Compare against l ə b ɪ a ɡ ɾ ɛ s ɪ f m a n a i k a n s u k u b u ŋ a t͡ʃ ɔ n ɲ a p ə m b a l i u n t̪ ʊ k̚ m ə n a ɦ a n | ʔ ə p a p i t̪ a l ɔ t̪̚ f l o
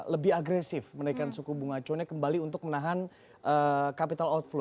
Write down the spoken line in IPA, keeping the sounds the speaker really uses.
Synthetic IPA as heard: l ə b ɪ a ɡ ɾ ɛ s ɪ f m ə n a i k a n s u k u b u ŋ a t͡ʃ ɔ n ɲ a k ə m b a l i u n t̪ ʊ k̚ m ə n a ɦ a n | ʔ ə k a p i t̪ a l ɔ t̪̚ f l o

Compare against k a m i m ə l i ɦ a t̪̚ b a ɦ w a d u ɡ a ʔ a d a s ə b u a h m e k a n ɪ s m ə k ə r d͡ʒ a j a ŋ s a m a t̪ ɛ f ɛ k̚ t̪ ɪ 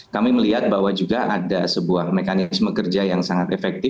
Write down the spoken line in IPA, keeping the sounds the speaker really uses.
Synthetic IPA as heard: k a m i m ə l i ɦ a t̪̚ b a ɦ w a d͡ʒ u ɡ a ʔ a d a s ə b u a h m e k a n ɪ s m ə k ə r d͡ʒ a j a ŋ s a ŋ a t̪ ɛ f ɛ k̚ t̪ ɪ

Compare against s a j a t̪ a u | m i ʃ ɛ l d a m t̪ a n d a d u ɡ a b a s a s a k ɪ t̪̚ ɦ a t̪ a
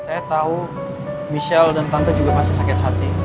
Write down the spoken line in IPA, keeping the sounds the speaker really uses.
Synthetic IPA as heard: s a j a t̪ a u | m i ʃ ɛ l d a n t̪ a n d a d͡ʒ u ɡ a m a s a s a k ɪ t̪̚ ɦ a t̪ i

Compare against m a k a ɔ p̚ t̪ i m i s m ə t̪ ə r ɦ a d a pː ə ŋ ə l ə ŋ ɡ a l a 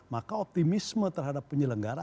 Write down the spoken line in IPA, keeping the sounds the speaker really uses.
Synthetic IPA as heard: m a k a ɔ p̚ t̪ i m i s m ə t̪ ə r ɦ a d a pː ə ɲ ə l ə ŋ ɡ a ɾ a

